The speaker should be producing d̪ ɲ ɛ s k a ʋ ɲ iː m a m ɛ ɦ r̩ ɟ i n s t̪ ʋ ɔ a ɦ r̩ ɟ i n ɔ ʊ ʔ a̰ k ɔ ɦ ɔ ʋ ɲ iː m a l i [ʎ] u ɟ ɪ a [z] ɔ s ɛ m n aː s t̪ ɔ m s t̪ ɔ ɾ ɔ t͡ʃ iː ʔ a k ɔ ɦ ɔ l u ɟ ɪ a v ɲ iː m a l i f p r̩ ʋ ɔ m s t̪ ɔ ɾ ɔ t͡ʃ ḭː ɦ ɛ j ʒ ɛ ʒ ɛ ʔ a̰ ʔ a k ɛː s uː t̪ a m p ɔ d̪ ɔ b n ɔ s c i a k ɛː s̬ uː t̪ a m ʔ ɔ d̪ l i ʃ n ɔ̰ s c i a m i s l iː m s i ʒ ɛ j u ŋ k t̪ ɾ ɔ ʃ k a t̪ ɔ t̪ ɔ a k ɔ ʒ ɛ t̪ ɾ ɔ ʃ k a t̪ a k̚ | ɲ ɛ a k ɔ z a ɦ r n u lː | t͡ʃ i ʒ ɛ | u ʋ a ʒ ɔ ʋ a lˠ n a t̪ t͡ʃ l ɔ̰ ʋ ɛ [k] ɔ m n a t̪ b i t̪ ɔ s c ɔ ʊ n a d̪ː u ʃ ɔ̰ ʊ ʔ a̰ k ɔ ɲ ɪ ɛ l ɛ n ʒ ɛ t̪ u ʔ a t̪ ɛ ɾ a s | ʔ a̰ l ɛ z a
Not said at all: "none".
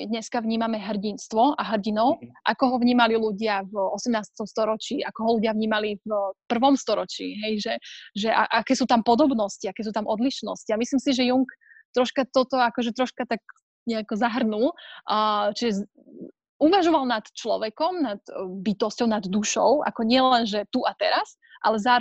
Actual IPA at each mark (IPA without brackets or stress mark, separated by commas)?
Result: l, v, k